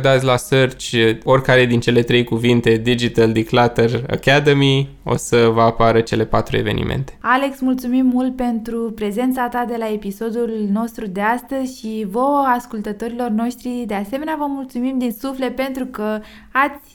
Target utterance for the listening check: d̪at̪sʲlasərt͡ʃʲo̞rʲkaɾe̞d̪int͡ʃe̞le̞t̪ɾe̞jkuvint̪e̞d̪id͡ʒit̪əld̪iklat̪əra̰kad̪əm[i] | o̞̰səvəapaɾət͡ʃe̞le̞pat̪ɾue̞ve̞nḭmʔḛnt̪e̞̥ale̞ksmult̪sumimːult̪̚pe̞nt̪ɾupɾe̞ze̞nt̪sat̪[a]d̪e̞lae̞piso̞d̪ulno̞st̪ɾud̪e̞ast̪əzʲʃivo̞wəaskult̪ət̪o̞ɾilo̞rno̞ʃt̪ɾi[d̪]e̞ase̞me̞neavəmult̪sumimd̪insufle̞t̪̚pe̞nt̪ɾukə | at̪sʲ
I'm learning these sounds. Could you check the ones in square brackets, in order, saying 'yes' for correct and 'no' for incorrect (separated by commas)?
yes, yes, yes